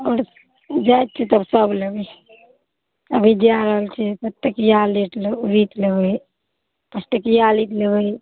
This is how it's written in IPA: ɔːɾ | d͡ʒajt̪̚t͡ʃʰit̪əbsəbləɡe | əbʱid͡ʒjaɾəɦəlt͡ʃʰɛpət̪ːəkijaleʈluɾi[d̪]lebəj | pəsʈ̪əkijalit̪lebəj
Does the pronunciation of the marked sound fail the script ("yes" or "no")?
yes